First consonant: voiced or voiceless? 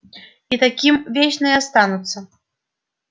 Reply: voiceless